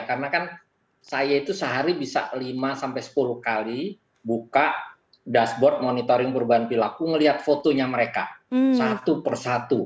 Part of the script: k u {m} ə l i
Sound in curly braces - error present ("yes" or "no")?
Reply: yes